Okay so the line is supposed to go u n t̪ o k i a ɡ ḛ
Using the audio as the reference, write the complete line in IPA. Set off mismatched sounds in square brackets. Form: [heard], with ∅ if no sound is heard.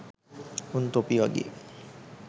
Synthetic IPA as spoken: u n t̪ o [p] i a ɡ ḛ